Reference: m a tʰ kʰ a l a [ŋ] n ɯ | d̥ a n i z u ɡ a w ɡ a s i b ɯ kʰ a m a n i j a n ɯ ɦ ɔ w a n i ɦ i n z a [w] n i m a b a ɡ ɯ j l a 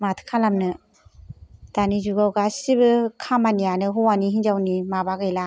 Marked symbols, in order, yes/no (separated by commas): no, yes